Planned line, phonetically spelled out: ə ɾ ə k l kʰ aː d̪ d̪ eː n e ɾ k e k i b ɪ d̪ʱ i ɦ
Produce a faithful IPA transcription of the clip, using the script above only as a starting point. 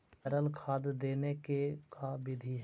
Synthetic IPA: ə ɾ ə l kʰ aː d̪ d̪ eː n e k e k a b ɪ d̪ʱ i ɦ